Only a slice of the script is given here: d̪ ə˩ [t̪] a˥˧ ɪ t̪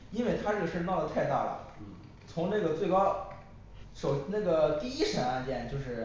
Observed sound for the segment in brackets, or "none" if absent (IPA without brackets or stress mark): t̪ʰ